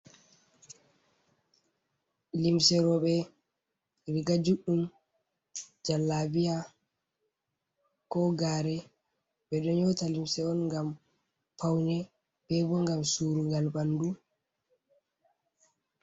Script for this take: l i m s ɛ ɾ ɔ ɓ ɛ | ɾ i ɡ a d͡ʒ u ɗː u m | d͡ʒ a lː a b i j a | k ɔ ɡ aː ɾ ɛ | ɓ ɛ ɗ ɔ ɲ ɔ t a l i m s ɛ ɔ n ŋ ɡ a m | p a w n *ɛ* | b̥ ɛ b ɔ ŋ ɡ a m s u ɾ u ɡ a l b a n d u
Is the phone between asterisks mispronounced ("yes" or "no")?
no